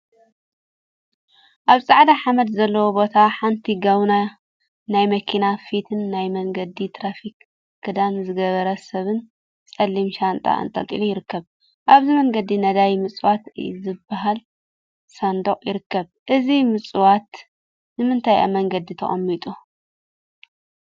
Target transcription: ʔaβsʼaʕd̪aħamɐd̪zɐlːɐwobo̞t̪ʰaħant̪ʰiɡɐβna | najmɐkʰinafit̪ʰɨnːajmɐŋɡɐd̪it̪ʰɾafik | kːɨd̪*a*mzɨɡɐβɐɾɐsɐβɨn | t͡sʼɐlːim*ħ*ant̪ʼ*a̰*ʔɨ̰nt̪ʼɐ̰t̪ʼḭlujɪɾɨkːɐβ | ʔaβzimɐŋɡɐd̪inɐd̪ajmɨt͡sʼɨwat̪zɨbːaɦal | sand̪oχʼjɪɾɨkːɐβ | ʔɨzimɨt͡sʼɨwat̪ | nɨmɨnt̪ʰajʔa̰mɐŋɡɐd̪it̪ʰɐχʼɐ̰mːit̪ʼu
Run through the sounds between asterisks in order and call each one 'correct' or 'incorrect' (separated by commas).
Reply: correct, incorrect, correct